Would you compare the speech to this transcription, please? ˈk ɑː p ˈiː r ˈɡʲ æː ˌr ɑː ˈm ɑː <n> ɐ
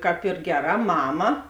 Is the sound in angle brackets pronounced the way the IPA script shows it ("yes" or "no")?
no